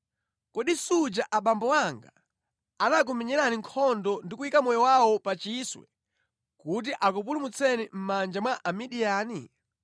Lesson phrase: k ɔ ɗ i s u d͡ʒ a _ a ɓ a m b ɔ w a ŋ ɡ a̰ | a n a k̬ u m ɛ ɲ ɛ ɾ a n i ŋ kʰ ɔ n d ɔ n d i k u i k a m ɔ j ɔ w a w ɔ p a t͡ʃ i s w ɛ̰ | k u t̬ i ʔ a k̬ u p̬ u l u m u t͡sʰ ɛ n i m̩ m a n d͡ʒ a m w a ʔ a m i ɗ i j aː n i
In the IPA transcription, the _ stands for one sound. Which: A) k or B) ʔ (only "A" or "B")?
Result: B